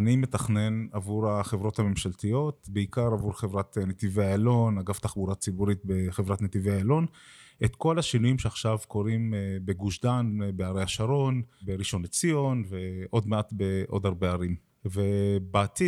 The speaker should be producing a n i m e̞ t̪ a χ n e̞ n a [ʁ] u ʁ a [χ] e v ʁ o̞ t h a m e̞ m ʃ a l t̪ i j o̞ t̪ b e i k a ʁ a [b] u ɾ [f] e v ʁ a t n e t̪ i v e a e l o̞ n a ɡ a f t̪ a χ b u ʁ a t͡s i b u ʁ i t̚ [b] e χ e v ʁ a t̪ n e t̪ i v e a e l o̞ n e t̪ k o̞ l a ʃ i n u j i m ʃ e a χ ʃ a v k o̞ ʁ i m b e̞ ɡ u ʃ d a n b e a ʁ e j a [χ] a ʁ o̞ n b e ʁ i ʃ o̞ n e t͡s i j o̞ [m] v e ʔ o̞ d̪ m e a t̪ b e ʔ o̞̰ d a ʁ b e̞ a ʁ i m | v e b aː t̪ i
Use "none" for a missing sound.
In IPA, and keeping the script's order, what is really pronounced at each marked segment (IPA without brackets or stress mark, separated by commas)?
v, χ, v, χ, b, ʃ, n